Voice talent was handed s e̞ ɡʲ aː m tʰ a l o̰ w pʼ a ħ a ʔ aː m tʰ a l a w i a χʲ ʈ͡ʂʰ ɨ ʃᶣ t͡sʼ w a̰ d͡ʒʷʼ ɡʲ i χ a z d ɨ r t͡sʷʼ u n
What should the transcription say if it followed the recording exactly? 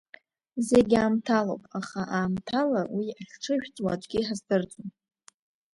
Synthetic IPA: z e̞ ɡʲ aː m tʰ a l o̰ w pʼ a χ a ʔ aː m tʰ a l a w i a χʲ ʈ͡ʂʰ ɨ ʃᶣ t͡sʼ w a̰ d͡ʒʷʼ ɡʲ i ħ a z d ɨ r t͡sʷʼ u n